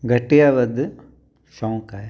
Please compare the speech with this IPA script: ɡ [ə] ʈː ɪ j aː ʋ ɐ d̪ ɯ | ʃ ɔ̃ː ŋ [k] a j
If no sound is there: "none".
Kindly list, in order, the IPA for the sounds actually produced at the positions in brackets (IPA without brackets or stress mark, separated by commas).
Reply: ɐ, k